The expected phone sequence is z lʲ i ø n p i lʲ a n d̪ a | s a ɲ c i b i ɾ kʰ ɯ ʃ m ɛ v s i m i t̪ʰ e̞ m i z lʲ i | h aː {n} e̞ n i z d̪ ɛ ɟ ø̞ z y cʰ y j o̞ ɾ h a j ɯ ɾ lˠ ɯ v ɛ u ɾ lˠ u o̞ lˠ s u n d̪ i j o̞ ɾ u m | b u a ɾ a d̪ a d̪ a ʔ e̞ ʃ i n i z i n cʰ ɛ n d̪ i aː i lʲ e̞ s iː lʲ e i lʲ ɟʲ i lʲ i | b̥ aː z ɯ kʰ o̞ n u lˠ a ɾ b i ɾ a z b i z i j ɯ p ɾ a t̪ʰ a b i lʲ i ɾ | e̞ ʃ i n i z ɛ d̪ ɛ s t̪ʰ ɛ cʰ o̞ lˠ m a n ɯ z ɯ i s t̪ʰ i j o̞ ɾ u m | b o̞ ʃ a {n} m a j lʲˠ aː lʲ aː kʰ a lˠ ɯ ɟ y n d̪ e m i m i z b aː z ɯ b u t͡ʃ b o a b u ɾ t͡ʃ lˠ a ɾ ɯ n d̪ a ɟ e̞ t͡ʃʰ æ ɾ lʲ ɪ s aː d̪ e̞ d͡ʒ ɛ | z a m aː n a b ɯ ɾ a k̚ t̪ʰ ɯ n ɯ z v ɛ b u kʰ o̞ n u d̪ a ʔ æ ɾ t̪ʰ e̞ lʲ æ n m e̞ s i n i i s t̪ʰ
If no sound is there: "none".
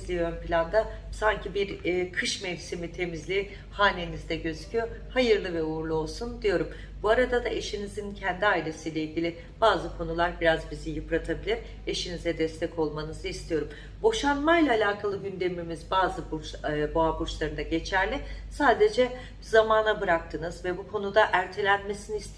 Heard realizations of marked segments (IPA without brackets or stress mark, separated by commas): n, n